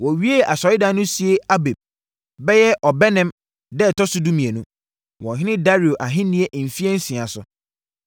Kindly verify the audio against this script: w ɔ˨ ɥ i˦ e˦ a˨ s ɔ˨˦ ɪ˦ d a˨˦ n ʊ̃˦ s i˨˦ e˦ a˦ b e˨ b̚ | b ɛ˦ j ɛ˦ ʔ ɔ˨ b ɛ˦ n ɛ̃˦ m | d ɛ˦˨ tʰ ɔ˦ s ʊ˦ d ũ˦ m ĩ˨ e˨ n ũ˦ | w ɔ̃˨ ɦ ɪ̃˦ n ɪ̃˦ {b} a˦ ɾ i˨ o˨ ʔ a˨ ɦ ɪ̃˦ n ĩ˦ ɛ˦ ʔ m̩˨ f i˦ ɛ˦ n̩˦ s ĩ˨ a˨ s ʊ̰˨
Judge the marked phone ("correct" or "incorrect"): incorrect